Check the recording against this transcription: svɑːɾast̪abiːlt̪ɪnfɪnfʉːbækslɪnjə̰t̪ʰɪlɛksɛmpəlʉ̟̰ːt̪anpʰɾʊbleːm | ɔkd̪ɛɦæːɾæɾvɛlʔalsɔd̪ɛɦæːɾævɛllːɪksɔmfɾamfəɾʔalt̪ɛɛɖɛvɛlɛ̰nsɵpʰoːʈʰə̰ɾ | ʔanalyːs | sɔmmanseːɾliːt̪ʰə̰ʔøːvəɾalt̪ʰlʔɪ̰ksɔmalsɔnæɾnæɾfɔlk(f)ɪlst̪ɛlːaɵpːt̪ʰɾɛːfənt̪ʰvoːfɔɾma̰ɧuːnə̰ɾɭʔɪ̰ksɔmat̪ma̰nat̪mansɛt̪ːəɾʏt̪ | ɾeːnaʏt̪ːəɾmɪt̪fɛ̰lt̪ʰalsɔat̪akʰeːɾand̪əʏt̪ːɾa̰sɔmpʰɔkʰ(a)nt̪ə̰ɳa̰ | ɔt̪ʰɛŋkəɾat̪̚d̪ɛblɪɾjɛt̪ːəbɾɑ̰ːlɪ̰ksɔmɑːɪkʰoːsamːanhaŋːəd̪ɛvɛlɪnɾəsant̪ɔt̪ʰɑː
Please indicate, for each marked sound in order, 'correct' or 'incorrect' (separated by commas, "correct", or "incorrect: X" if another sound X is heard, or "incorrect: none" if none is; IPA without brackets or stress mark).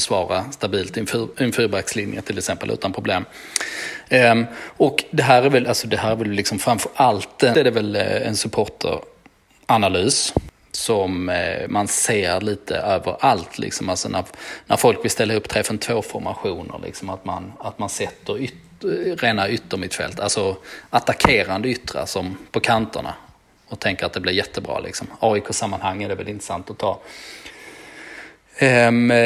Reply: incorrect: v, correct